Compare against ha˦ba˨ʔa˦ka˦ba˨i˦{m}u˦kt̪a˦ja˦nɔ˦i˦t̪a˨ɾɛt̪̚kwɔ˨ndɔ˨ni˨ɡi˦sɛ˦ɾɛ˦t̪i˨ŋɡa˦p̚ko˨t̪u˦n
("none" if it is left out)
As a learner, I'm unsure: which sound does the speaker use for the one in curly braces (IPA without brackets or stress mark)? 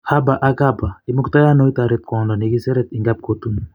m